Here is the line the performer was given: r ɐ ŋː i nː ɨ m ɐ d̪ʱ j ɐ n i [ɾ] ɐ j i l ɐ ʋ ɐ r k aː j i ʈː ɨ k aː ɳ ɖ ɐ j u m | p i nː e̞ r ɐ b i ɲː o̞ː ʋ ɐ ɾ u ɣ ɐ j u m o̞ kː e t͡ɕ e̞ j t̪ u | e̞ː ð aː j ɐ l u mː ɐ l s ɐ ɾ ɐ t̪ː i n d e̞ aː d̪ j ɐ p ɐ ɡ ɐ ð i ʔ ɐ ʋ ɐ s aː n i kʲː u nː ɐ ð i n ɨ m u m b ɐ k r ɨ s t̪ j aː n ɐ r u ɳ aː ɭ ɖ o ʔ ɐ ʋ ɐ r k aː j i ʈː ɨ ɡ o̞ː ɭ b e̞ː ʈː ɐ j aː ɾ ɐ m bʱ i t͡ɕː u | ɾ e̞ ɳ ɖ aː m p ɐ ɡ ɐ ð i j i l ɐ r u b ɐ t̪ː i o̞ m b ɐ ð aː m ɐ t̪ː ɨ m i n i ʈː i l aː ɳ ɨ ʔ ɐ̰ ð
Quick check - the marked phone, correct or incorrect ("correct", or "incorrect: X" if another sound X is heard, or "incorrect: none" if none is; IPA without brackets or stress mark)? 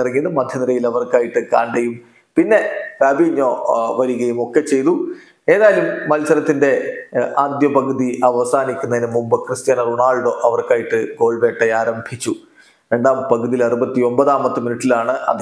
correct